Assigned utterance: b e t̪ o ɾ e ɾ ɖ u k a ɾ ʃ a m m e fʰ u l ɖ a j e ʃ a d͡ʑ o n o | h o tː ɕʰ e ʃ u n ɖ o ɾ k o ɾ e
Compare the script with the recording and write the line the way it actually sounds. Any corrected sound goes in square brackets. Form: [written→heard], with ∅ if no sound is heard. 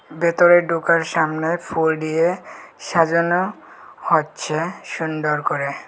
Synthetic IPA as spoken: b e t̪ o ɾ e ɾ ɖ u k a ɾ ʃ a m [m→n] e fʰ u l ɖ [a→i] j e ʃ a d͡ʑ o n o | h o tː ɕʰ e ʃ u n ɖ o ɾ k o ɾ e